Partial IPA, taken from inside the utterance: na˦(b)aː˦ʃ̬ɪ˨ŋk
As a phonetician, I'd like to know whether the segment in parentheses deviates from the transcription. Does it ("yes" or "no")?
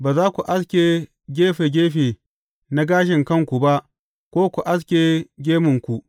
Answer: yes